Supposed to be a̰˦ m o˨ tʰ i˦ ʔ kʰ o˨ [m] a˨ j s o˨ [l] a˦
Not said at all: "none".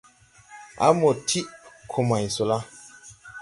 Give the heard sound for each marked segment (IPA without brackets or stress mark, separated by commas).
m, l